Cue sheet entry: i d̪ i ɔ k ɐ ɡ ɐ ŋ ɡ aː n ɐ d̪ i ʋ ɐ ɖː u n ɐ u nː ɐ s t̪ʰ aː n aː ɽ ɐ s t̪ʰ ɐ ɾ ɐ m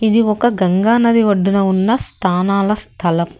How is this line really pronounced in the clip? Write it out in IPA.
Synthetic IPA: i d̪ i ɔ k ɐ ɡ ɐ ŋ ɡ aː n ɐ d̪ i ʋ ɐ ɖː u n ɐ u nː ɐ s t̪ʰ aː n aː l ɐ s t̪ʰ ɐ l ɐ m